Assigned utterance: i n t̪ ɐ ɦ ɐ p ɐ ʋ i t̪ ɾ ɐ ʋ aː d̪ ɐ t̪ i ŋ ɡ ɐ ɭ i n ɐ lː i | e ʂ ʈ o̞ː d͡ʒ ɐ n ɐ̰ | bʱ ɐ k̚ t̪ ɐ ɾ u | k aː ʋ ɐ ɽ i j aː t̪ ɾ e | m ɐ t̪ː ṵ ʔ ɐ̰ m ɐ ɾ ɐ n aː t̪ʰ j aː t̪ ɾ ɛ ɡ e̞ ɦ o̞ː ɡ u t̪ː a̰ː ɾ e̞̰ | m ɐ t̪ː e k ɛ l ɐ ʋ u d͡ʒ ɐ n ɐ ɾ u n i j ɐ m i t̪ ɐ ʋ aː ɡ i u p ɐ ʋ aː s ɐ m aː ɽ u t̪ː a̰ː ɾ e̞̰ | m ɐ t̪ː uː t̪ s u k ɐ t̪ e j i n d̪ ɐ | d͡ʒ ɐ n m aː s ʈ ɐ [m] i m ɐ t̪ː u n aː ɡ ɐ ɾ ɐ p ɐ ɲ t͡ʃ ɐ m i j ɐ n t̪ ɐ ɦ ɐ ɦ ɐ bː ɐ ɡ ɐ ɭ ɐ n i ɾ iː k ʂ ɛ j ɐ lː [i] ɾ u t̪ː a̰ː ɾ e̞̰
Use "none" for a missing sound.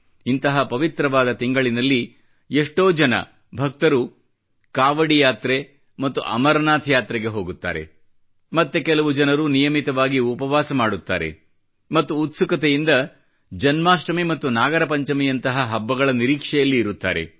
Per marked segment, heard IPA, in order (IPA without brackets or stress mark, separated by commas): m, iː